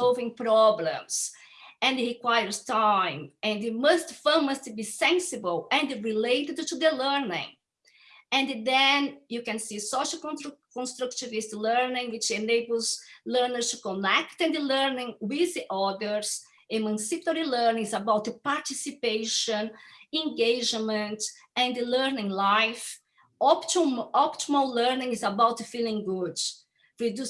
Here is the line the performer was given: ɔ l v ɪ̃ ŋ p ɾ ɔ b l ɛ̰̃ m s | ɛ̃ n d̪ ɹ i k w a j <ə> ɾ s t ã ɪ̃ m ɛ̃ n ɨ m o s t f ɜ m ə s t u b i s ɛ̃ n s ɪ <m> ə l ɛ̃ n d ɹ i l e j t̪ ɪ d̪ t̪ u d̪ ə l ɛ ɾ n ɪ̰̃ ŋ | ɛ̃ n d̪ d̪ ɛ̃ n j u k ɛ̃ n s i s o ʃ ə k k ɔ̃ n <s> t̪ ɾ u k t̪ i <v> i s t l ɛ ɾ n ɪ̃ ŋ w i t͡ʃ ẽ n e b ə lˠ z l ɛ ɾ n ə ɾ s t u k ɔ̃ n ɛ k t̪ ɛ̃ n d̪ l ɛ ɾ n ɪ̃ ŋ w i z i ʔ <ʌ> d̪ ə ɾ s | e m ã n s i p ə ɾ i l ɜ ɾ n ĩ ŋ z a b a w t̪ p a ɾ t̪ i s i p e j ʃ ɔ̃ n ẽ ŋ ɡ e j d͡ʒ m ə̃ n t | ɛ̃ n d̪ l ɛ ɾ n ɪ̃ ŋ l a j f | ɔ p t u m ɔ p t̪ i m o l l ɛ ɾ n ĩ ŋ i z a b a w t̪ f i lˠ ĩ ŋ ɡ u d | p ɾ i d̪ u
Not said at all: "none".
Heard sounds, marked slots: ə, b, s, v, ɔ

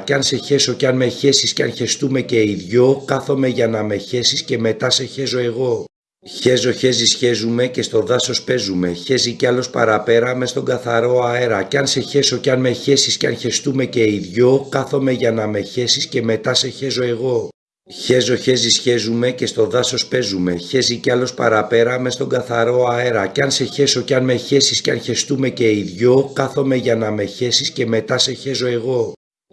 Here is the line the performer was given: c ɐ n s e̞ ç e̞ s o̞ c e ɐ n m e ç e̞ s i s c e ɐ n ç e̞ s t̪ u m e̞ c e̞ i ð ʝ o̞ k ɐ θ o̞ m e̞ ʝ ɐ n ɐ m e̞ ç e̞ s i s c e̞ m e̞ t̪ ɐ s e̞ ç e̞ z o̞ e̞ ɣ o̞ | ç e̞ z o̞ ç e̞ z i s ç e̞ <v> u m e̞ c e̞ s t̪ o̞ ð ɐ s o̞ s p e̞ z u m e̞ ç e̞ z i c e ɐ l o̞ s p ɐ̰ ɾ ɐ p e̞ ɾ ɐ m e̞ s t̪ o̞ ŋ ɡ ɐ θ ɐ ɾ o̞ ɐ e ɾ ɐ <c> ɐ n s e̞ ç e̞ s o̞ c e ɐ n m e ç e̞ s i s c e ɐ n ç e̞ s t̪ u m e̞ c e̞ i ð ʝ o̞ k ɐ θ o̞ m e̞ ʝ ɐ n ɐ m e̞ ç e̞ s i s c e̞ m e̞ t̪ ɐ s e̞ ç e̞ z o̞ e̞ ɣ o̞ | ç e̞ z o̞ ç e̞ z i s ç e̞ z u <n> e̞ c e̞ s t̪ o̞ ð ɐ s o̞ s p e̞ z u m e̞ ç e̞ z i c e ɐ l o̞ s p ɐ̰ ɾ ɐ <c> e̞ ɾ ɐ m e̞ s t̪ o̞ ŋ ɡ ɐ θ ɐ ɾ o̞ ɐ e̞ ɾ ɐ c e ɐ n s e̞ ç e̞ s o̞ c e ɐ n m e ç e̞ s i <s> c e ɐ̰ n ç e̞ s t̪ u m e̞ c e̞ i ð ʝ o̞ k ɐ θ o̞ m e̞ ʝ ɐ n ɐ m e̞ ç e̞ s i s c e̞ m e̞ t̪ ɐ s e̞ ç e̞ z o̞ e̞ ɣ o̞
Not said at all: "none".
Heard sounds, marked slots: z, c, m, p, s

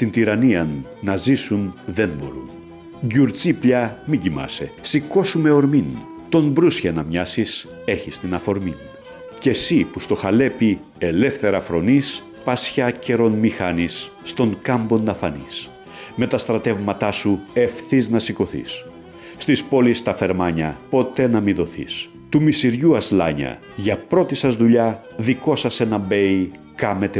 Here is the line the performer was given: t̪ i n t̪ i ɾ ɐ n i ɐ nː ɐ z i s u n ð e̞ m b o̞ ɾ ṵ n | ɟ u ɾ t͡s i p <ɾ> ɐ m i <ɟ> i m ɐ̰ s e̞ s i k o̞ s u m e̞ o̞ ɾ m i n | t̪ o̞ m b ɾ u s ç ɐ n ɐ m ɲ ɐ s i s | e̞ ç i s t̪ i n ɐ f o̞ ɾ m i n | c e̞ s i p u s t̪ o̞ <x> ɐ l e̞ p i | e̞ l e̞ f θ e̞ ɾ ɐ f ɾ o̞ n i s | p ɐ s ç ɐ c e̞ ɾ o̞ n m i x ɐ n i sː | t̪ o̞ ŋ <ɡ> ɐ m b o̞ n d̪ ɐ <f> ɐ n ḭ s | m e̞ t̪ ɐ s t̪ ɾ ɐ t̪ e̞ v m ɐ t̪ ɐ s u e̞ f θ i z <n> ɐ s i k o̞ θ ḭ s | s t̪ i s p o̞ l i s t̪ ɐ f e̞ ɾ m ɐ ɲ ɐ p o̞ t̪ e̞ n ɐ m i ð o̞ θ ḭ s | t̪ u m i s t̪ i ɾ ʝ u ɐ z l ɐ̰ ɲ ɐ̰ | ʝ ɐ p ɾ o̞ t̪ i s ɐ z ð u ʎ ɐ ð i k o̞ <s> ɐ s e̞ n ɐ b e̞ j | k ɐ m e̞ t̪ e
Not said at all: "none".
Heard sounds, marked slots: ʎ, ɟ, x, k, f, n, s

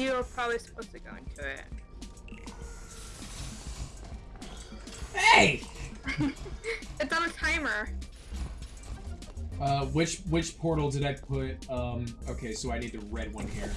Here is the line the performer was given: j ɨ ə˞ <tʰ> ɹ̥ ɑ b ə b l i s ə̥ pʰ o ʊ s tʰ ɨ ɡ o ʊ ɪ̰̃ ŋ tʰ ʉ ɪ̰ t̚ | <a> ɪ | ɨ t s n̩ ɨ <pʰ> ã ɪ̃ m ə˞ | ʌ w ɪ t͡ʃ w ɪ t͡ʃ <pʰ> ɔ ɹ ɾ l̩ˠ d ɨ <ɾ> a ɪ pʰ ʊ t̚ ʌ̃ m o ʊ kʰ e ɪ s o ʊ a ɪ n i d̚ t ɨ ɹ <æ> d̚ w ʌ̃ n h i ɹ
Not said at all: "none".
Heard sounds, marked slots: pʰ, e, tʰ, pʰ, ɾ, ɛ

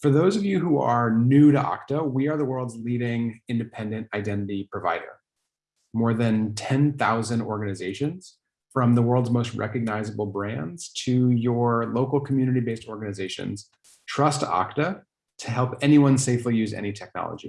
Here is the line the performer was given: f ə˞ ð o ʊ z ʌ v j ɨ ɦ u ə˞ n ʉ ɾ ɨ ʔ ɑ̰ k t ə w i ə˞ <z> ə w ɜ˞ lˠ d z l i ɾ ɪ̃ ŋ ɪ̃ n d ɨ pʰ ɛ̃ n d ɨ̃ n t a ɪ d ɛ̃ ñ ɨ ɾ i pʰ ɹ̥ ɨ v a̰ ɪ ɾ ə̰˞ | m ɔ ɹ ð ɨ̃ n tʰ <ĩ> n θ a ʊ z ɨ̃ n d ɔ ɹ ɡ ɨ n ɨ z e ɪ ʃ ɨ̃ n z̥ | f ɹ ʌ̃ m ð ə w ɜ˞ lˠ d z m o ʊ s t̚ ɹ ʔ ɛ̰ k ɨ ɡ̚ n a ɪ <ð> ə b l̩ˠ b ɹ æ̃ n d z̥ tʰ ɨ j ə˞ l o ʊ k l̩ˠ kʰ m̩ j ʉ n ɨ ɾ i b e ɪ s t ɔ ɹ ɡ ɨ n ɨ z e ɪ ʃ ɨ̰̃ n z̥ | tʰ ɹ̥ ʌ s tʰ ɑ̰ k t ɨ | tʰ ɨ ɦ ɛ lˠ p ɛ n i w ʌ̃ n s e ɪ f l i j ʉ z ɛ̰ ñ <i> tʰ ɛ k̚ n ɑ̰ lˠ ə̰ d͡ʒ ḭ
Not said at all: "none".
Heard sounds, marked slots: ð, ɛ̃, z, i

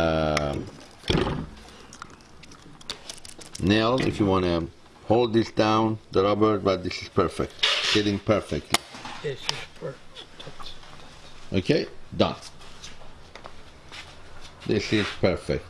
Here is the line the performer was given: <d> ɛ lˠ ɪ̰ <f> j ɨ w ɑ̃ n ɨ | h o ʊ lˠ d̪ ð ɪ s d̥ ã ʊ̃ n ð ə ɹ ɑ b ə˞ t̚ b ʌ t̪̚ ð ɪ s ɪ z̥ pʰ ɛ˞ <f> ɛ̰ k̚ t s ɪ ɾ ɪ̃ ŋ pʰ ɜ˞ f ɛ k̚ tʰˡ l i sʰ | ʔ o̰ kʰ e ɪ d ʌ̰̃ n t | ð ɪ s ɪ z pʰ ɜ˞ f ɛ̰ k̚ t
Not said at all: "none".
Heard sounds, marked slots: n, f, f

